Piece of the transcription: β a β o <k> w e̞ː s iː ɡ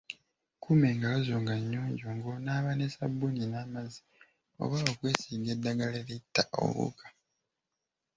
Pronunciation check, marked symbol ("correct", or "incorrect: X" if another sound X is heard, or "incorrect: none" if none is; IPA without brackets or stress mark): correct